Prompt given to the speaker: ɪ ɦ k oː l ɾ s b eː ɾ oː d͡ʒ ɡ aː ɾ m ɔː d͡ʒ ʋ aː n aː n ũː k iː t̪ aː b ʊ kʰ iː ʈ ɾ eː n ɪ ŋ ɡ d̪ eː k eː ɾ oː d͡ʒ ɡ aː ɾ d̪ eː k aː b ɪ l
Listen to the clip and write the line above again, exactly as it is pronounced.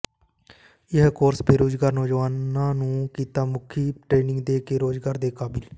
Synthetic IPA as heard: ɪ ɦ k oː ɾ s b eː ɾ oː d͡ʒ ɡ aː ɾ n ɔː d͡ʒ ʋ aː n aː n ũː k iː t̪ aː m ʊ kʰ iː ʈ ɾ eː n ɪ ŋ ɡ d̪ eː k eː ɾ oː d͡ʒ ɡ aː ɾ d̪ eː k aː b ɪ l